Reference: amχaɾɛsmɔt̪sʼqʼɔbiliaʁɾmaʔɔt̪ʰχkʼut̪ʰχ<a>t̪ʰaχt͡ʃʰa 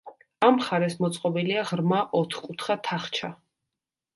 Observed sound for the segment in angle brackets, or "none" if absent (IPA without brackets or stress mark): a